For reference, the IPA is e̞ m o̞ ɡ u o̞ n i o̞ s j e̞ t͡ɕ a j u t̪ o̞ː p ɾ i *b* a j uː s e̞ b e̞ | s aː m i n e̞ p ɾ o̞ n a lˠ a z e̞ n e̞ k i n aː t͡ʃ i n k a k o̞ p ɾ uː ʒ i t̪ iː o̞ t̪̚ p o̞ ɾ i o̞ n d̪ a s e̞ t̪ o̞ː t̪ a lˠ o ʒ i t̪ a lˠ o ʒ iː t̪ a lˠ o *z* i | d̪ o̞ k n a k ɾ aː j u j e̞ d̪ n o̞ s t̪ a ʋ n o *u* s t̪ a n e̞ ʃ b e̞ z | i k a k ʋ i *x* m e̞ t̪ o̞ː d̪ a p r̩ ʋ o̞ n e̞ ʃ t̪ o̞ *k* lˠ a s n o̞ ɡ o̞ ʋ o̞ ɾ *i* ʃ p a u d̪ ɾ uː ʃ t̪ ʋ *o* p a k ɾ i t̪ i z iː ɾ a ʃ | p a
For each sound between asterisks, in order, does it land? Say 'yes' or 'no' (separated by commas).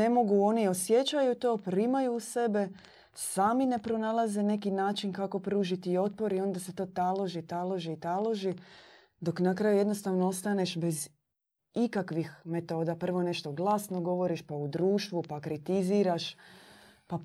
no, no, no, yes, no, yes, no